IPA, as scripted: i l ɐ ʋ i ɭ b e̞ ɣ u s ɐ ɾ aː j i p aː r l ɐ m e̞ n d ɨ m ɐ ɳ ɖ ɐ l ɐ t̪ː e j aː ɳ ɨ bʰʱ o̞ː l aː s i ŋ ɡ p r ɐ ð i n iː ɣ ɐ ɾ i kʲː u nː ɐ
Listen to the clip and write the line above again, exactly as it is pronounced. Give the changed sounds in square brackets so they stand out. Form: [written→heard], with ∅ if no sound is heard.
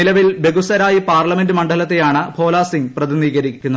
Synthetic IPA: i l ɐ ʋ i [ɭ→l] b e̞ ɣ u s ɐ ɾ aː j i p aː r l ɐ m e̞ n d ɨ m ɐ ɳ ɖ ɐ l ɐ t̪ː e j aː ɳ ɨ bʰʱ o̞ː l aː s i ŋ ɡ p r ɐ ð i n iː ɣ ɐ ɾ i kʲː u nː ɐ